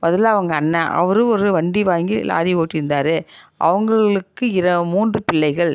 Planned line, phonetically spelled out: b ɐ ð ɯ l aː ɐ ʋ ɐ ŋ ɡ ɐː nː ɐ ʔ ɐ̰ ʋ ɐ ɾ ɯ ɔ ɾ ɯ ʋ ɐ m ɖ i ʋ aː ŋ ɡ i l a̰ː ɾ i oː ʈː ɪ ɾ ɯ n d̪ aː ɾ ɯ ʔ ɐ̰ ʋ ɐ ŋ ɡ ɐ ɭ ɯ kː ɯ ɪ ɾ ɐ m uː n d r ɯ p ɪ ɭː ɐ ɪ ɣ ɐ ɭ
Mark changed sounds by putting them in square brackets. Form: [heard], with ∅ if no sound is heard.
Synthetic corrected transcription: b ɐ ð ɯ l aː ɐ ʋ ɐ ŋ ɡ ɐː nː ɐ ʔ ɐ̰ ʋ ɐ ɾ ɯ ɔ ɾ ɯ ʋ ɐ [ɳ] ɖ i ʋ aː ŋ ɡ i l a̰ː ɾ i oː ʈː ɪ ɾ ɯ n d̪ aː ɾ ɯ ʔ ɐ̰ ʋ ɐ ŋ ɡ ɐ ɭ ɯ kː ɯ ɪ ɾ ɐ m uː n d r ɯ p ɪ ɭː ɐ ɪ ɣ ɐ ɭ